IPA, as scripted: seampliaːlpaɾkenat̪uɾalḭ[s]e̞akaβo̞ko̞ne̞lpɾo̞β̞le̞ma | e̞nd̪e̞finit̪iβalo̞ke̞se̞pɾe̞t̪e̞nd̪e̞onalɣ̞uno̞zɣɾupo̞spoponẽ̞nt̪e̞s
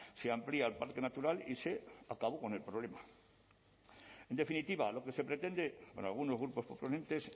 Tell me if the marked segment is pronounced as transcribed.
yes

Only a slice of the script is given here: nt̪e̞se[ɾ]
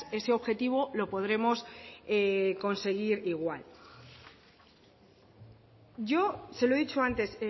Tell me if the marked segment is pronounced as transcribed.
no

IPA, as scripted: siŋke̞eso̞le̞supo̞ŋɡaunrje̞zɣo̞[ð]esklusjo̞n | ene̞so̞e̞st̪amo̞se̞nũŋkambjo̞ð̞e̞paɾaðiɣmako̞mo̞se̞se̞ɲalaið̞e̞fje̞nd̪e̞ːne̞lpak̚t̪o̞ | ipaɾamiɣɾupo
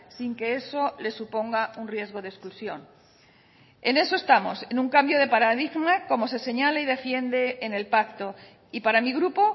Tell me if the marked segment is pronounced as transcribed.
yes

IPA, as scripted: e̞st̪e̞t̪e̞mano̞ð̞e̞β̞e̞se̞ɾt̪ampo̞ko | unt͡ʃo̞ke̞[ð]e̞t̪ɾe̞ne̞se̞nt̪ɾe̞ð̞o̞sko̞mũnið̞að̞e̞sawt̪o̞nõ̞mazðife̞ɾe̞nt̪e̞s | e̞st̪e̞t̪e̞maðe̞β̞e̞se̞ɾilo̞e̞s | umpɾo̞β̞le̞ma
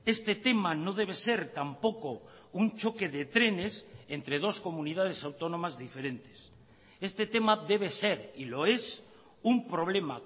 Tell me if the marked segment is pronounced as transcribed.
yes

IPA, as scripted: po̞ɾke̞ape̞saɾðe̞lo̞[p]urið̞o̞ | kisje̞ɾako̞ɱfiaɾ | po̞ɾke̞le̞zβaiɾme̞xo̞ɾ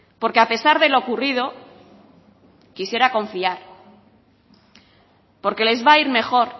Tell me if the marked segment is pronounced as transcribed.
no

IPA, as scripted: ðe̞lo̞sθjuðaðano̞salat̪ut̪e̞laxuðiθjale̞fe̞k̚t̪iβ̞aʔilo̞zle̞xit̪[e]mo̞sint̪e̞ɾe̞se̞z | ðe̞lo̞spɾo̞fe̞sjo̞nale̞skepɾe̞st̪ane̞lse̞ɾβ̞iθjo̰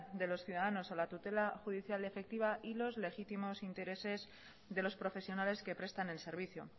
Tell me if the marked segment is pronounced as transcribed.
no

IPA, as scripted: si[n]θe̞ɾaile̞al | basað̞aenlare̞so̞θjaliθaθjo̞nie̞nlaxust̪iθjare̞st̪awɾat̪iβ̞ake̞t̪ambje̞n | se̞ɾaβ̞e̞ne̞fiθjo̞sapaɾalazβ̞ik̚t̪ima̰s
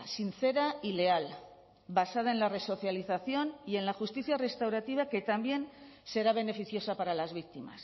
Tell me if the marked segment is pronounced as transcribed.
yes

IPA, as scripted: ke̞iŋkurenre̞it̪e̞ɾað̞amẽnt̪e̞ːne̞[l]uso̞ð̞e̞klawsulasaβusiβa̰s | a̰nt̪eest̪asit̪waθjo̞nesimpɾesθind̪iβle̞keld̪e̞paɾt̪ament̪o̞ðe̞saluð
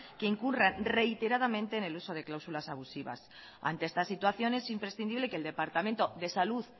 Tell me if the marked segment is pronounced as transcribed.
yes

